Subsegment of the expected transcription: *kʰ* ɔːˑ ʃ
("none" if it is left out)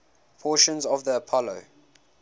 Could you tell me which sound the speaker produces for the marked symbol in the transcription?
pʰ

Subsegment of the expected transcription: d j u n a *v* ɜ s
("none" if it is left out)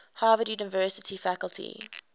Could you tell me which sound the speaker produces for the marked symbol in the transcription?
v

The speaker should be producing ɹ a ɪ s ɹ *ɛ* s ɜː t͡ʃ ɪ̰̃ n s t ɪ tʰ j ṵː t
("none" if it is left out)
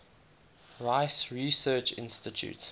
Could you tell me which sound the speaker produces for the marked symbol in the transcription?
i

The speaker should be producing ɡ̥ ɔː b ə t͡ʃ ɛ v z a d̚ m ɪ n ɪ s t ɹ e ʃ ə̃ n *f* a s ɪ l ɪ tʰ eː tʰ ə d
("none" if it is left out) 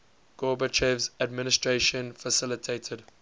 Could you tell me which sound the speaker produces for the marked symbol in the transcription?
f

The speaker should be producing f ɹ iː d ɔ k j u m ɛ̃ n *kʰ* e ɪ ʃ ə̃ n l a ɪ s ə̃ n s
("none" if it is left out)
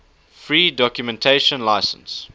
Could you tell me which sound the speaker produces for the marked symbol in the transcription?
tʰ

